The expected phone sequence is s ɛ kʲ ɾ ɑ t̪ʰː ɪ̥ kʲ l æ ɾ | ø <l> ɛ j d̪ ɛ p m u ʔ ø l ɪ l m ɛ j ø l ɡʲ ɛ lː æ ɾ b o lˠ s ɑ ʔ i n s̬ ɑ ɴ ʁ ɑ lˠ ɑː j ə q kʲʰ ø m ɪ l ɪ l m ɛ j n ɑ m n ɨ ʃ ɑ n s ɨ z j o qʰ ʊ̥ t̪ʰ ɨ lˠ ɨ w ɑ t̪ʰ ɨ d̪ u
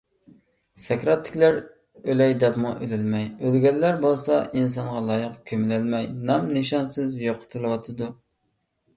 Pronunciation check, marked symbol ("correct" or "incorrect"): correct